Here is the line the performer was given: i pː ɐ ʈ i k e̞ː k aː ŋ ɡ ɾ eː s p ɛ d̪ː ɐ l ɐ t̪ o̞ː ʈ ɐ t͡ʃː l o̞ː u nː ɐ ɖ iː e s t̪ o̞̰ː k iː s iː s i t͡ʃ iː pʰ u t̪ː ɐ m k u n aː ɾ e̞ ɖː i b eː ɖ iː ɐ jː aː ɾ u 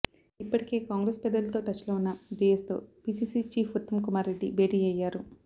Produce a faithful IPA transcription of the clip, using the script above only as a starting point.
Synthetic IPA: i pː ɐ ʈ i k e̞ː k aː ŋ ɡ ɾ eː s p ɛ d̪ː ɐ l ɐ t̪ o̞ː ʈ ɐ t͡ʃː l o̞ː u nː ɐ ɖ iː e s t̪ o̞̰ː p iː s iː s i t͡ʃ iː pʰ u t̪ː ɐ m k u m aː ɾ e̞ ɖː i b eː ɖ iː ɐ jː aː ɾ u